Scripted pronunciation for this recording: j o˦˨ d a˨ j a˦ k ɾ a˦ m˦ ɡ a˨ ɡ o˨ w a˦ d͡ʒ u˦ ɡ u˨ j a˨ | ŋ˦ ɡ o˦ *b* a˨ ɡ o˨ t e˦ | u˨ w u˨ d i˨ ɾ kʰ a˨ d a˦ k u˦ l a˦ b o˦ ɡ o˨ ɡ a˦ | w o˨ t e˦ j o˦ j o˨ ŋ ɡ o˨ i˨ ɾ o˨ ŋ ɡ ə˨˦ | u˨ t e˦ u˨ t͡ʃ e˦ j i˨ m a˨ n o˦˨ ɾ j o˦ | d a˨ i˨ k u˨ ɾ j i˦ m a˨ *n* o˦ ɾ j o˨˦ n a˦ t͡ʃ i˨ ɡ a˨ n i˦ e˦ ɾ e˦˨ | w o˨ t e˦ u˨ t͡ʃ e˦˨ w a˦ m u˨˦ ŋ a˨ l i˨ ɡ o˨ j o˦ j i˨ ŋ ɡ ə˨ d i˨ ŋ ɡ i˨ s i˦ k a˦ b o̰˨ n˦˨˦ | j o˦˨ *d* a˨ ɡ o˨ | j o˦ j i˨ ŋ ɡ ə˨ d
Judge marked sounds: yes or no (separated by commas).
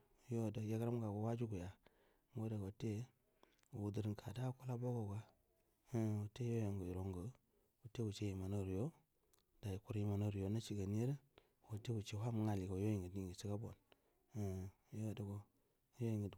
no, yes, yes